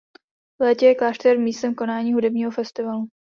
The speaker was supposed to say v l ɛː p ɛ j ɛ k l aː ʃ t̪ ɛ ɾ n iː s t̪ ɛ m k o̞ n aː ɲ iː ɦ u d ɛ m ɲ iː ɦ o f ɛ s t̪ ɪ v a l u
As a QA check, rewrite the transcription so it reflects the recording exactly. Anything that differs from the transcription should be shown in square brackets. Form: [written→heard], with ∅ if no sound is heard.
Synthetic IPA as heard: v l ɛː [p→c] ɛ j ɛ k l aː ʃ t̪ ɛ ɾ [n→m] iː s t̪ ɛ m k o̞ n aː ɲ iː ɦ u d ɛ [m→b] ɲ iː ɦ o f ɛ s t̪ ɪ v a l u